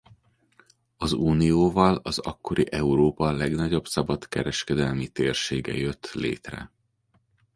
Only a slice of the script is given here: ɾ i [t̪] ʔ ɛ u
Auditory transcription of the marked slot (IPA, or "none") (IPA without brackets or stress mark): none